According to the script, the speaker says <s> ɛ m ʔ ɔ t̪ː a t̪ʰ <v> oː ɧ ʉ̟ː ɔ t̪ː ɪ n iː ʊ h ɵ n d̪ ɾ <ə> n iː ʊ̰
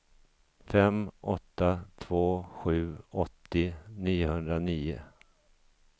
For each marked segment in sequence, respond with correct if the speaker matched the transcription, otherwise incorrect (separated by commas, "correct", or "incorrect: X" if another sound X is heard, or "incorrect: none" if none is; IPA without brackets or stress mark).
incorrect: f, correct, incorrect: a